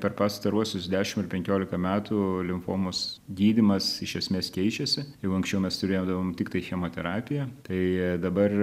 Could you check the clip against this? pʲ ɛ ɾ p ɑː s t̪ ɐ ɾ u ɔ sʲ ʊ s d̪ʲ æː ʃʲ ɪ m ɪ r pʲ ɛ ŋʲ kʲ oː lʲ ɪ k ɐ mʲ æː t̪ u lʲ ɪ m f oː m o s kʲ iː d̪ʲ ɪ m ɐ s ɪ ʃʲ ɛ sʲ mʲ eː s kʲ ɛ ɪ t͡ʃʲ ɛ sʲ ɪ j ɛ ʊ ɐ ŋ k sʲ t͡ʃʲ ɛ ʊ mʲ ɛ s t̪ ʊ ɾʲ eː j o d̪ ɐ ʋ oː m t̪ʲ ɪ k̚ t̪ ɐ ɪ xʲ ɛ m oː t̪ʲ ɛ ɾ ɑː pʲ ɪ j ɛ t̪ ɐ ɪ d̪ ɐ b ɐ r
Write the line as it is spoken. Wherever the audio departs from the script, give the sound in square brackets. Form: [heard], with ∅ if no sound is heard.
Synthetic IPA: pʲ ɛ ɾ p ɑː s t̪ ɐ ɾ u ɔ sʲ ʊ s d̪ʲ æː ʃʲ ɪ m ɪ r pʲ ɛ ŋʲ kʲ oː lʲ ɪ k ɐ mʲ æː t̪ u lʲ ɪ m f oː m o s [ɡʲ] iː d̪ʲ ɪ m ɐ s ɪ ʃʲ ɛ sʲ mʲ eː s kʲ ɛ ɪ t͡ʃʲ ɛ sʲ ɪ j ɛ ʊ ɐ ŋ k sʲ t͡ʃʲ ɛ ʊ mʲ ɛ s t̪ ʊ ɾʲ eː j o d̪ ɐ ʋ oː m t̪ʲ ɪ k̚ t̪ ɐ ɪ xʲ ɛ m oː t̪ʲ ɛ ɾ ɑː pʲ ɪ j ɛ t̪ ɐ ɪ d̪ ɐ b ɐ r